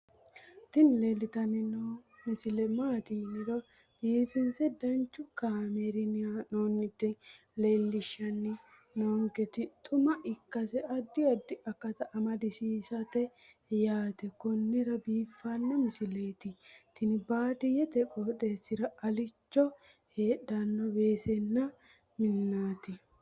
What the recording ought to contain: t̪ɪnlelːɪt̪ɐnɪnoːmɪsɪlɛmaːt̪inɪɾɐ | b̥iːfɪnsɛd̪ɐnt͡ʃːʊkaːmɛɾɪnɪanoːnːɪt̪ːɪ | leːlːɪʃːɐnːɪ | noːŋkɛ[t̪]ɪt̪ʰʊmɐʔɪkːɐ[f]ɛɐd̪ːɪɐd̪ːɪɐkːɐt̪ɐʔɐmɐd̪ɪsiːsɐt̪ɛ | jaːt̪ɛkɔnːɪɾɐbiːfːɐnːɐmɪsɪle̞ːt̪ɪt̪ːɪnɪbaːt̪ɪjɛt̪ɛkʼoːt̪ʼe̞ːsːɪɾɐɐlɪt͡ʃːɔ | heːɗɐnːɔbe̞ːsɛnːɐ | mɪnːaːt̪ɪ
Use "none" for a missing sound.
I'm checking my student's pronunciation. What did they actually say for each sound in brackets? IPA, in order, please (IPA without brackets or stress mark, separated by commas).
t̪, s